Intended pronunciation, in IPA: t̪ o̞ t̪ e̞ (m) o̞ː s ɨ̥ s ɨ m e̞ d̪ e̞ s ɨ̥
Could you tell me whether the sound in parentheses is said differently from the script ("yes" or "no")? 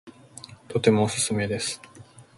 no